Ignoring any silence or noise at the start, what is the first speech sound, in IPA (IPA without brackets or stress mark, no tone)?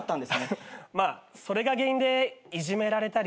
t̪ː